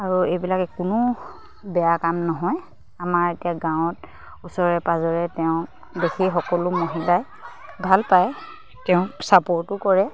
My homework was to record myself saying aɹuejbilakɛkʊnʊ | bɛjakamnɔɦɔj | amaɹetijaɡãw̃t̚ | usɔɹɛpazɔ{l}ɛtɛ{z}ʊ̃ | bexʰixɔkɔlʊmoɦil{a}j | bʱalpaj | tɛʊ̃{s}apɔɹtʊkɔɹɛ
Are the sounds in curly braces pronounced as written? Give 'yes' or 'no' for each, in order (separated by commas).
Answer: no, no, yes, yes